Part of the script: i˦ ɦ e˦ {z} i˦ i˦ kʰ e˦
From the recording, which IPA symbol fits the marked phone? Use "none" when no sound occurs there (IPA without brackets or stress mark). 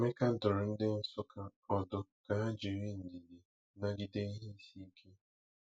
s